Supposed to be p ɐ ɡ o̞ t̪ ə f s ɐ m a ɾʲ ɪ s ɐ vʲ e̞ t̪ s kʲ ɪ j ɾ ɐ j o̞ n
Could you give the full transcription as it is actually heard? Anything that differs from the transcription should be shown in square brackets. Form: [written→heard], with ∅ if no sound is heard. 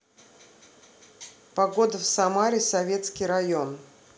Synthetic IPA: p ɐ ɡ o̞ [t̪→d̪] ə f s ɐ m a ɾʲ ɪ s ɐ vʲ e̞ t̪ s kʲ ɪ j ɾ ɐ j o̞ n